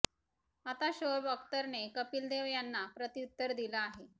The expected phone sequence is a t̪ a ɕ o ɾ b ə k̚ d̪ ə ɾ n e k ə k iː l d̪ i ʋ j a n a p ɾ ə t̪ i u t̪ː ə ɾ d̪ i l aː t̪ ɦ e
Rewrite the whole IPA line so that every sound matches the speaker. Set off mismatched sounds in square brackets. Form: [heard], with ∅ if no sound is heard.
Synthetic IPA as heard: a t̪ a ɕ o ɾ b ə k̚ [t̪] ə ɾ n e k ə [p] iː l d̪ [e] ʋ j a [nː] a p ɾ ə t̪ i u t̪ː ə ɾ d̪ i l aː [∅] ɦ e